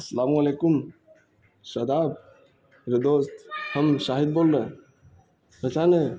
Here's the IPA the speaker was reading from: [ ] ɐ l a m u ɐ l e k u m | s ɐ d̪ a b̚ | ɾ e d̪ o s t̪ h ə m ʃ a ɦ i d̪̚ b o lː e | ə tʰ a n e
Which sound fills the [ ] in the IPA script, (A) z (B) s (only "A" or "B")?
B